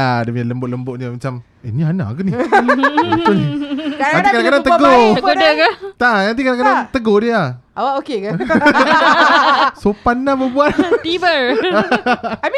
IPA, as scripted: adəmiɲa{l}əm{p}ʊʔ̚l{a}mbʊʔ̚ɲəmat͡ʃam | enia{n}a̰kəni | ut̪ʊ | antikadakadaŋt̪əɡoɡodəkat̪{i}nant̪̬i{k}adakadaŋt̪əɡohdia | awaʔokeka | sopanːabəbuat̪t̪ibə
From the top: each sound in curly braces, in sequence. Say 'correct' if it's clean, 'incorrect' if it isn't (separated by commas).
correct, incorrect, incorrect, correct, incorrect, correct